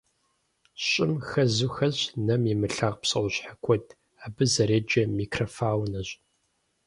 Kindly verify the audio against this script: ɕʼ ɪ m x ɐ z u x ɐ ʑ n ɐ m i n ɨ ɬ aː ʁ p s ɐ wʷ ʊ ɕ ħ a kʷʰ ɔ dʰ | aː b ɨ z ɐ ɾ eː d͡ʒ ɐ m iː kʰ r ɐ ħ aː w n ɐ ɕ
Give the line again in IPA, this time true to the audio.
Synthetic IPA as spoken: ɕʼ ɪ m x ɐ z u x ɐ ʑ n ɐ m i m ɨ ɬ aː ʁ p s ɐ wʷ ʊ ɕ ħ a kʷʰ ɔ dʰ | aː b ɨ z ɐ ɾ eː d͡ʒ ɐ m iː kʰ r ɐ f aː w n ɐ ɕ